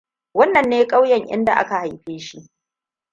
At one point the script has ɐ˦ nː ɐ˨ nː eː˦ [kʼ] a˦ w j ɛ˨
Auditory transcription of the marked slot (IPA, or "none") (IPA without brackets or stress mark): kʼ